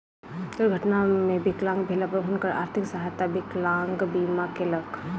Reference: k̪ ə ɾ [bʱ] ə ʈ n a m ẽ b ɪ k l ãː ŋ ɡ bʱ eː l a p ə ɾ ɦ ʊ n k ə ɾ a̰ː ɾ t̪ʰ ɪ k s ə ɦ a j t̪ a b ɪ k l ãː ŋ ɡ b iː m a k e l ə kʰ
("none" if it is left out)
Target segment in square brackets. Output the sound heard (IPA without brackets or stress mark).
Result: ɡʱ